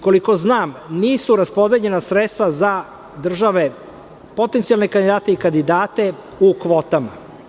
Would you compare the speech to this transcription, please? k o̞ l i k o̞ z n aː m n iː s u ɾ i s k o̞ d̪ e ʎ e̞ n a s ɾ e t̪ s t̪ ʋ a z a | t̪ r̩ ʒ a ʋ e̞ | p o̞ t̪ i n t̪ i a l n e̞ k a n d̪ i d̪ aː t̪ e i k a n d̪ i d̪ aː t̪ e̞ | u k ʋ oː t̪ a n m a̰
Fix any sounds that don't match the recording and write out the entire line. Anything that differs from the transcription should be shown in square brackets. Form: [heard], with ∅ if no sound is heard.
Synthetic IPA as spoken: k o̞ l i k o̞ z n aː m n iː s u ɾ [a] s [p] o̞ d̪ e ʎ e̞ n a s ɾ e t̪ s t̪ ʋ a z a | [d̪] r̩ ʒ a ʋ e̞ | p o̞ t̪ [e] n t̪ i a l n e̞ k a n d̪ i d̪ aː t̪ e i k a n d̪ i d̪ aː t̪ e̞ | u k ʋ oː t̪ a [∅] m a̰